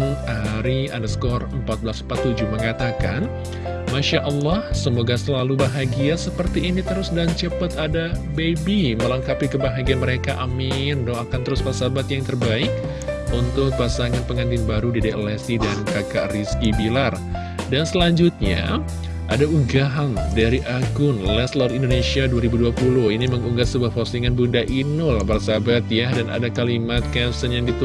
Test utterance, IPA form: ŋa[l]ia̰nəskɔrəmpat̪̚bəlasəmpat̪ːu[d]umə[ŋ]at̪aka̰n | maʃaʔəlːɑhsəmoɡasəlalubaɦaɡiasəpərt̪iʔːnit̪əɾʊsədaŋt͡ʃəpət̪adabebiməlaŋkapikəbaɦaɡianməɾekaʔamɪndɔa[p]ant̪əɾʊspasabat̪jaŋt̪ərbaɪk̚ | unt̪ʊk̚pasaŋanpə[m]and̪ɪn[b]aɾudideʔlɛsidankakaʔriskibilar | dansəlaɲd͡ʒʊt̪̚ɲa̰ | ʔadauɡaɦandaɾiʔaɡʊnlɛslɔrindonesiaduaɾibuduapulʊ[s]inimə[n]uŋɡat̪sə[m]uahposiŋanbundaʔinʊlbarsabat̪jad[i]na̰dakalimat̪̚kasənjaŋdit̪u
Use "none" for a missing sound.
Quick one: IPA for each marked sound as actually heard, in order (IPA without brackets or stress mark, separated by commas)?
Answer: ɾ, d͡ʒ, ŋ, k, ŋ, b, h, ŋ, b, a